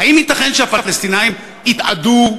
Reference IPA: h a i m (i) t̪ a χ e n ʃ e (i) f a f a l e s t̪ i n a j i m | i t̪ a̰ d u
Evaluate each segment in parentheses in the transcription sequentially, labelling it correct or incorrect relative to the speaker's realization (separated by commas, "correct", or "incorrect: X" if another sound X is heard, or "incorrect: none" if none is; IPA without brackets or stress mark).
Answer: correct, incorrect: a